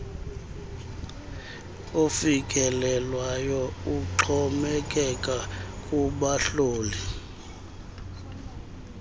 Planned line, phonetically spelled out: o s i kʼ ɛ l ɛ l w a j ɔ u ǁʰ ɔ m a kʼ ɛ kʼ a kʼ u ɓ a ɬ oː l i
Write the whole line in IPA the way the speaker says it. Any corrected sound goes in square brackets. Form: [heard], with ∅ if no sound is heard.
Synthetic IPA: o [f] i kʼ ɛ l ɛ l w a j ɔ u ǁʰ ɔ m [ɛ] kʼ ɛ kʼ a kʼ u ɓ a ɬ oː l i